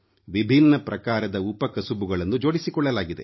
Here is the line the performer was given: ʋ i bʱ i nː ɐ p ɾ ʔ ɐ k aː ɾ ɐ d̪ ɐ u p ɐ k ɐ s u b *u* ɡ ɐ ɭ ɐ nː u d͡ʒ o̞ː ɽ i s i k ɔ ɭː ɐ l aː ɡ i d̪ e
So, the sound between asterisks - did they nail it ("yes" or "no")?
yes